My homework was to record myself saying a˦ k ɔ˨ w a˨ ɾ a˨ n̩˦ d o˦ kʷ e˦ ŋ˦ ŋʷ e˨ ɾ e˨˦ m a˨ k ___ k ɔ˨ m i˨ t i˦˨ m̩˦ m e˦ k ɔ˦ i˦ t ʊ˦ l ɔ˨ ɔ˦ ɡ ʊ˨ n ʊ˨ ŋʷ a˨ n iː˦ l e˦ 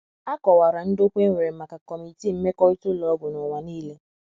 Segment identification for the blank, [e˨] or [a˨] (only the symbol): a˨